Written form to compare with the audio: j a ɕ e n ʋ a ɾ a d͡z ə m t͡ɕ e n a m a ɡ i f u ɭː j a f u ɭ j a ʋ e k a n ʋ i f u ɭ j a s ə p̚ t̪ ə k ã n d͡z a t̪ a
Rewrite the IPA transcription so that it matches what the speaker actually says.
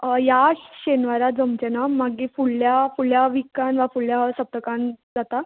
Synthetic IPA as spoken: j a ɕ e n ʋ a ɾ a d͡z ə m t͡ɕ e n a m a ɡ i f u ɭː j a f u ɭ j a ʋ i k a n ʋ a f u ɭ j a s ə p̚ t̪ ə k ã n d͡z a t̪ a